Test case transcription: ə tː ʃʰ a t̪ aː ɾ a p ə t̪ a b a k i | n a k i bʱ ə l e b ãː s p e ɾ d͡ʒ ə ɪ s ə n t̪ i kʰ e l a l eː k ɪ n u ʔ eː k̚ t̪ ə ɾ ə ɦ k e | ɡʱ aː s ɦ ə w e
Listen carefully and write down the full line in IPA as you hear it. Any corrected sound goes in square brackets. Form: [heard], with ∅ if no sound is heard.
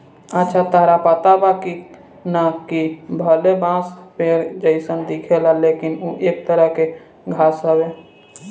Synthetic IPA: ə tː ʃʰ a t̪ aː ɾ a p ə t̪ a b a k i | n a k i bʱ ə l e b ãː s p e ɾ d͡ʒ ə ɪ s ə n [d̪] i kʰ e l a l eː k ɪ n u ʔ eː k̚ t̪ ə ɾ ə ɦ k e | ɡʱ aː s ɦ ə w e